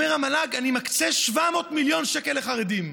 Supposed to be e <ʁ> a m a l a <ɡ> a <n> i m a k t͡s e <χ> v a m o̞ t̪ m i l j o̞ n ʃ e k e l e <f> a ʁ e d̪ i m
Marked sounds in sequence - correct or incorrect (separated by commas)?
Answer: correct, correct, correct, incorrect, incorrect